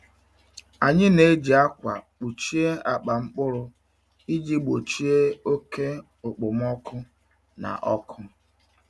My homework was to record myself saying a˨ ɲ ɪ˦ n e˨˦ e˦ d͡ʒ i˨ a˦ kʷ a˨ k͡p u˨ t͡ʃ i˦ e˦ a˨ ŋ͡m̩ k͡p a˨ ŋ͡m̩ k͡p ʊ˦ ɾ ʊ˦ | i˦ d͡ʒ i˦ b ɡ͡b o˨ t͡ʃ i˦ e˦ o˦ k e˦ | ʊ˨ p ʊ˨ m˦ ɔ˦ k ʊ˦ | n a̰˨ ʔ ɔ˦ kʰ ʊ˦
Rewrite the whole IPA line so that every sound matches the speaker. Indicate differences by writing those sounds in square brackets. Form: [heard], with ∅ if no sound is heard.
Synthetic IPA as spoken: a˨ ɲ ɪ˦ n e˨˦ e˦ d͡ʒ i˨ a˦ kʷ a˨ k͡p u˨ t͡ʃ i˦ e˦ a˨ [∅] k͡p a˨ ŋ͡m̩ k͡p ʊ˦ ɾ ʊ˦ | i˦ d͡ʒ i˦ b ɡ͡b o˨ t͡ʃ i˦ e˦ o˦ k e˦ | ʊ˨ [k͡p] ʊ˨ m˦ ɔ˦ k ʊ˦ | n a̰˨ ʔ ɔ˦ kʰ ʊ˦